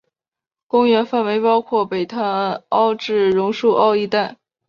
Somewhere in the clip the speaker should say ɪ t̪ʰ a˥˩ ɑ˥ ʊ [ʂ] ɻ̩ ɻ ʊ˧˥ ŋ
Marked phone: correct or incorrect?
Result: incorrect